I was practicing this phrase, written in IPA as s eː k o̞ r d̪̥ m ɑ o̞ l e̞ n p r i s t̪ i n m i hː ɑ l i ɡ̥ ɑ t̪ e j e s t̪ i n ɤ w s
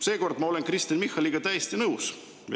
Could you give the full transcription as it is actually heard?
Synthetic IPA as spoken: s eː k o̞ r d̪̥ m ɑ o̞ l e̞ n k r i s t̪ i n m i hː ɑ l i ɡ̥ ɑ t̪ æ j e s t̪ i n ɤ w s